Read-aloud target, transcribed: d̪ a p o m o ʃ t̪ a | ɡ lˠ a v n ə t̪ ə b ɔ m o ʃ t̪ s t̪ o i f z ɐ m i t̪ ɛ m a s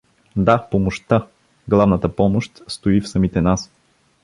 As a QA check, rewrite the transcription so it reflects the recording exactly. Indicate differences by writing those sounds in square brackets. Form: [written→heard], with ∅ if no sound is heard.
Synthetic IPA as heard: d̪ a p o m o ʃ t̪ a | ɡ lˠ a v n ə t̪ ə [b→p] ɔ m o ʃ t̪ s t̪ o i f [z→s] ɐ m i t̪ ɛ [m→n] a s